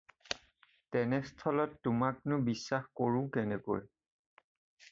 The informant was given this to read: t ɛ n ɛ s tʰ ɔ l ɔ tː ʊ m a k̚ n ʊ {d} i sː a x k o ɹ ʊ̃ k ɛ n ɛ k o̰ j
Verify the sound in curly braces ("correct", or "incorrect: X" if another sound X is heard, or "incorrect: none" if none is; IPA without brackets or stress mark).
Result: incorrect: b